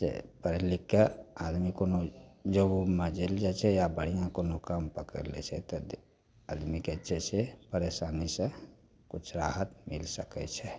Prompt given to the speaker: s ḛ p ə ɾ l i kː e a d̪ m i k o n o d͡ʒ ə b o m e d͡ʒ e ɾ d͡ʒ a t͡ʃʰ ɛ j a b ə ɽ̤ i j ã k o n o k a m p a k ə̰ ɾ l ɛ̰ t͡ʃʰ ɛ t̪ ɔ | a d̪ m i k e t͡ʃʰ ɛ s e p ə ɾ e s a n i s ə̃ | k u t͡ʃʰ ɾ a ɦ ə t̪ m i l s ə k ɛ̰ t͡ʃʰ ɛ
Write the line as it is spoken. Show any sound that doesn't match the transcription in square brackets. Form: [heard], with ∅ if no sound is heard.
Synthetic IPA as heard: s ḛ p ə ɾ l i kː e a d̪ m i k o n o d͡ʒ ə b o m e d͡ʒ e [l] d͡ʒ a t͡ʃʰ ɛ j a b ə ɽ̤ i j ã k o n o k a m p [ə] k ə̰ ɾ l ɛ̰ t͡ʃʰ ɛ t̪ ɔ | a d̪ m i k e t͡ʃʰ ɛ s e p ə ɾ e s a n i s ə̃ | k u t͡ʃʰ ɾ a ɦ ə t̪ m i l s ə k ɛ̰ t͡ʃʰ ɛ